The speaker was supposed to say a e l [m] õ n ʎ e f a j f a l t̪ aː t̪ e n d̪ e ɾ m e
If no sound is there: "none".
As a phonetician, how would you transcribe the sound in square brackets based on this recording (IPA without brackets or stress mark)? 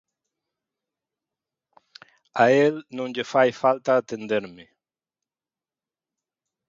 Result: n